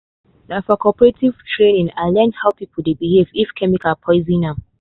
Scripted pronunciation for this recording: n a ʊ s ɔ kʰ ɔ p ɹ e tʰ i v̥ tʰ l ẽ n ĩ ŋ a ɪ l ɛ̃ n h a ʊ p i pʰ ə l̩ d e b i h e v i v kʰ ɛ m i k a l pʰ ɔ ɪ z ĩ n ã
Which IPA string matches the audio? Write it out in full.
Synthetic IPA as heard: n a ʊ f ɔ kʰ ɔ p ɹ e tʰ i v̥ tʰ ɹ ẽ n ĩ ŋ a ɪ l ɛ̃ n h a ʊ p i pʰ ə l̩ d e b i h e v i f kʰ ɛ m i k a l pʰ ɔ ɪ z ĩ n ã